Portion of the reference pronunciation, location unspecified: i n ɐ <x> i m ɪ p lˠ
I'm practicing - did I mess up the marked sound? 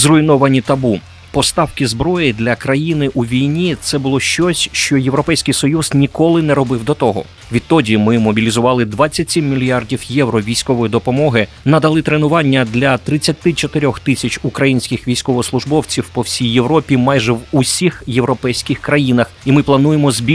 no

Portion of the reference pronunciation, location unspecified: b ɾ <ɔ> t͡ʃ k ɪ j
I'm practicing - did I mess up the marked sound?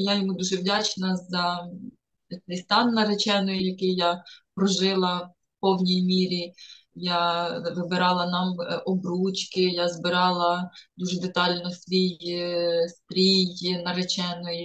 yes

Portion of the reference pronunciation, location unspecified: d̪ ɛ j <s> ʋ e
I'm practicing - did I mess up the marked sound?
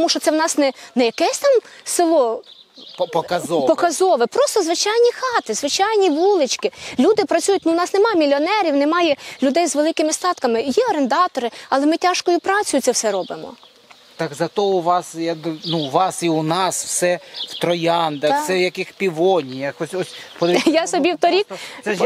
yes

